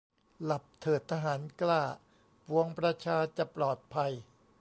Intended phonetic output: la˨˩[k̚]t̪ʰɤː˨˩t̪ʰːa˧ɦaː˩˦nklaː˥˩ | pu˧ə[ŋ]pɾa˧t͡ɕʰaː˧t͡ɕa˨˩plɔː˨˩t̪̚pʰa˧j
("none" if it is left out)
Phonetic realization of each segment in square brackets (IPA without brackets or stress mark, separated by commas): p̚, ŋ